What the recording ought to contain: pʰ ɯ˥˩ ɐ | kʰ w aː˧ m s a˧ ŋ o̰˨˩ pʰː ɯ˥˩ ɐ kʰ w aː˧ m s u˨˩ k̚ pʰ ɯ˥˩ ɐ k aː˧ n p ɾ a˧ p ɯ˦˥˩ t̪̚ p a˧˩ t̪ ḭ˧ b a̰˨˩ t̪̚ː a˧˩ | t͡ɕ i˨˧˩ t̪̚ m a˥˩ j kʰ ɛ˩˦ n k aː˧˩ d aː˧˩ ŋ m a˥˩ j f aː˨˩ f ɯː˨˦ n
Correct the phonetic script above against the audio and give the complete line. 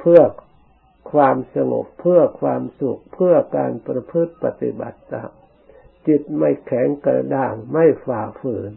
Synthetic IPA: pʰ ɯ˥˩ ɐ | kʰ w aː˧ m s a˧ ŋ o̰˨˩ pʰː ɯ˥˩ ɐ kʰ w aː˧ m s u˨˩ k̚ pʰ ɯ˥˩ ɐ k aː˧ n p ɾ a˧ pʰ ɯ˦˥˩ t̪̚ p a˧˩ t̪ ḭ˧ b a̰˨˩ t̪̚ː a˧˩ | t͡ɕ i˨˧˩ t̪̚ m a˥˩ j kʰ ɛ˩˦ ŋ k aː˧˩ d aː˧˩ ŋ m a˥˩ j f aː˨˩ f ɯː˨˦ n